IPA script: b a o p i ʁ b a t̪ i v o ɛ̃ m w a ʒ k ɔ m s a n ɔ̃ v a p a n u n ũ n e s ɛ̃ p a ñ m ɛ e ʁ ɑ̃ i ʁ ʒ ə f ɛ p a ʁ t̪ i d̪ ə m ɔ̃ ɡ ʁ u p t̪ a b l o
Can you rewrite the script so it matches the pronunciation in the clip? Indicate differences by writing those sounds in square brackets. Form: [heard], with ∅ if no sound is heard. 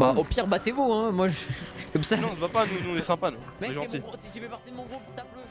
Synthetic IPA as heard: b a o p i ʁ b a t̪ [e] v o ɛ̃ m w a ʒ k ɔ m s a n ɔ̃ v a p a n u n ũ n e s ɛ̃ p a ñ m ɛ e [ʒ] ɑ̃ i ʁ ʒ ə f ɛ p a ʁ t̪ i d̪ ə m ɔ̃ ɡ ʁ u p t̪ a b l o

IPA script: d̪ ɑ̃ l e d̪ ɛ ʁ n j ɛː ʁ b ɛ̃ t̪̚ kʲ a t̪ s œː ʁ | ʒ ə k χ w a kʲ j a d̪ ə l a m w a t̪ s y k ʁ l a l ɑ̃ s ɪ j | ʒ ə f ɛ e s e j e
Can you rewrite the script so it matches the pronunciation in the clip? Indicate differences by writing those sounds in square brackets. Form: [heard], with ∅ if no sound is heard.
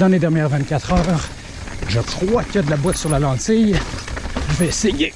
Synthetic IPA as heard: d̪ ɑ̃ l e d̪ ɛ ʁ n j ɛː ʁ [v] ɛ̃ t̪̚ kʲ a t̪ [χ] œː ʁ | ʒ ə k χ w a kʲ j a d̪ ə l a [b] w a t̪ s y [∅] ʁ l a l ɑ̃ s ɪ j | ʒ ə [v] ɛ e s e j e

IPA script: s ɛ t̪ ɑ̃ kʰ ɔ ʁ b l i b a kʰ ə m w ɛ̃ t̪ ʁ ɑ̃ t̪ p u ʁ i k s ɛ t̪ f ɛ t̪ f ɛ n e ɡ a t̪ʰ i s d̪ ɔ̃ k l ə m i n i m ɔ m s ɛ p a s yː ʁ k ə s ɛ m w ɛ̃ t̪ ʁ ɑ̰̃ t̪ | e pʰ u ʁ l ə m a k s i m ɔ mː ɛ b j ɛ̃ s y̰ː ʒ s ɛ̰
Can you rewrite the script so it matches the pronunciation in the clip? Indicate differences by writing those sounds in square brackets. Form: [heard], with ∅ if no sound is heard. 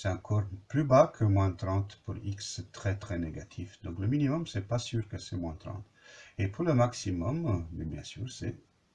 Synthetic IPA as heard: s ɛ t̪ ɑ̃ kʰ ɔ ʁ [p] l [y] b a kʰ ə m w ɛ̃ t̪ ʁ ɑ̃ t̪ p u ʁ i k s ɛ t̪ [χ] ɛ t̪ [χ] ɛ n e ɡ a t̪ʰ i [f] d̪ ɔ̃ k l ə m i n i m ɔ m s ɛ p a s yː ʁ k ə s ɛ m w ɛ̃ t̪ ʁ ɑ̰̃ t̪ | e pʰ u ʁ l ə m a k s i m ɔ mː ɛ b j ɛ̃ s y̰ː [ʁ] s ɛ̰

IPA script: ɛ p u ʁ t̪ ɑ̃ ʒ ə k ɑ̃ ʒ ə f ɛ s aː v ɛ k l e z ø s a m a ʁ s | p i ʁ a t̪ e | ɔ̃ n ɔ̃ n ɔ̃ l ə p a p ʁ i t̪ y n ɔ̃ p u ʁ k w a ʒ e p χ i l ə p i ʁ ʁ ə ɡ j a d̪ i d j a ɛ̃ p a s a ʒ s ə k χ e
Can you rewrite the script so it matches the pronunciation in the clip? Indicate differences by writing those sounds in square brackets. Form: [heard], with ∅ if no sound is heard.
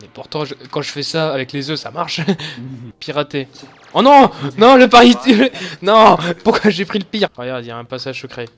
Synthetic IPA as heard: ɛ p u ʁ t̪ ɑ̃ ʒ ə k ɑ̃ ʒ ə f ɛ s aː v ɛ k l e z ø s a m a ʁ [ʃ] | p i ʁ a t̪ e | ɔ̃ n ɔ̃ n ɔ̃ l ə p a [∅] ʁ i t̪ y n ɔ̃ p u ʁ k w a ʒ e p χ i l ə p i ʁ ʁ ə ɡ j a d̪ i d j a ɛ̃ p a s a ʒ s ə k χ e

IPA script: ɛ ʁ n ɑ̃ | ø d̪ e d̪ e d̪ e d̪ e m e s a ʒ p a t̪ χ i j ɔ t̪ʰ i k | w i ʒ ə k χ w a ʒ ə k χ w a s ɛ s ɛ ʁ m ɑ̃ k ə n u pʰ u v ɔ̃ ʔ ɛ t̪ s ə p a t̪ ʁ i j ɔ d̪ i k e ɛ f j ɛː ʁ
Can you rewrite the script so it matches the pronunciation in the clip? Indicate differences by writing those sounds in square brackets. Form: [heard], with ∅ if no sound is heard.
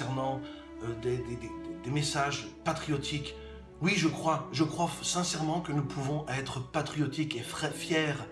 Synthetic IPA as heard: ɛ ʁ n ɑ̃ | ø d̪ e d̪ e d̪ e d̪ e m e s a ʒ p a t̪ χ i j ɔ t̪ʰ i k | w i ʒ ə k χ w a ʒ ə k χ w a s [ɛ̃] s ɛ ʁ m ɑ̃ k ə n u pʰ u v ɔ̃ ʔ ɛ t̪ [χ] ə p a t̪ [χ] i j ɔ [t̪] i k e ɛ f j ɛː ʁ

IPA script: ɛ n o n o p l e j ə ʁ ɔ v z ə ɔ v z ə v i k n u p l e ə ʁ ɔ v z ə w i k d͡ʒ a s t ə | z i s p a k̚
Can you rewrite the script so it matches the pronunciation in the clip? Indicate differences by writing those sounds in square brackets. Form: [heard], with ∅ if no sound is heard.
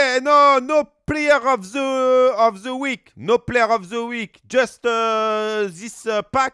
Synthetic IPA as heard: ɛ n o n o p l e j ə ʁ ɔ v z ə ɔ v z ə [w] i k n [o] p l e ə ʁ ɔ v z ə w i k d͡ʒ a s t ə | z i s p a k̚

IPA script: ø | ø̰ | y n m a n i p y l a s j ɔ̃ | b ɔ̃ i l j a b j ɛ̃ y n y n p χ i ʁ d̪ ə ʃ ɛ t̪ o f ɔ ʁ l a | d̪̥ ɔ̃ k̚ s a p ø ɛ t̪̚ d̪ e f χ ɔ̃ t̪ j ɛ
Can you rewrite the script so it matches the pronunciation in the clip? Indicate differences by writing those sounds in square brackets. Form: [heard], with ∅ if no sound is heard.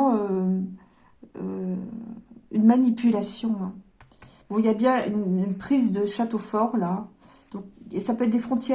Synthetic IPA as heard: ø | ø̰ | y n m a n i p y l a s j ɔ̃ | b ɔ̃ i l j a b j ɛ̃ y n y n p χ i [z] d̪ ə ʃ [a] t̪ o f ɔ ʁ l a | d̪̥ ɔ̃ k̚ s a p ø ɛ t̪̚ d̪ e f χ ɔ̃ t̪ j ɛ

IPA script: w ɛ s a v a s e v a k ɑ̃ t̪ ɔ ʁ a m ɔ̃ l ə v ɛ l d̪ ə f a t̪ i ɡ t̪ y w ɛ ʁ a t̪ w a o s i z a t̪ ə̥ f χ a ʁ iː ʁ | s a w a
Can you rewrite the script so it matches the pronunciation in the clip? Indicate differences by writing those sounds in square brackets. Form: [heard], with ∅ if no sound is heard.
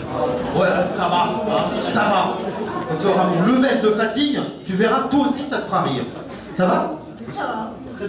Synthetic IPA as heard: w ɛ s a v a s [a] v a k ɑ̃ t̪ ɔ ʁ a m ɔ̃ l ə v ɛ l d̪ ə f a t̪ i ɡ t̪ y [v] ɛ ʁ a t̪ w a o s i [s] a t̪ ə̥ f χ a ʁ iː ʁ | s a [v] a

